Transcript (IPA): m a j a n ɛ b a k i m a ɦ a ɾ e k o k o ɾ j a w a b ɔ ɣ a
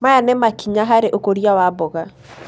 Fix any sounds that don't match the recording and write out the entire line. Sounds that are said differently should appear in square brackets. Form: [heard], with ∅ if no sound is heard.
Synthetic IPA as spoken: m a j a n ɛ [m] a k i [ɲ] a ɦ a ɾ e [ʔ] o k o ɾ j a w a b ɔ ɣ a